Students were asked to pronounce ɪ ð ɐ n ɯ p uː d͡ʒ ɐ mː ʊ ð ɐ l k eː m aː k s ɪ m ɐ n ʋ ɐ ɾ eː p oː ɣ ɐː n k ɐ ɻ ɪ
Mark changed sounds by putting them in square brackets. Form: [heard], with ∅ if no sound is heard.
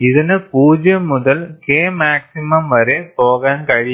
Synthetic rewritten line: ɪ ð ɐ n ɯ p uː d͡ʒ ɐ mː ʊ ð ɐ l k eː m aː k s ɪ m ɐ [m] ʋ ɐ ɾ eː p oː ɣ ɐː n k ɐ ɻ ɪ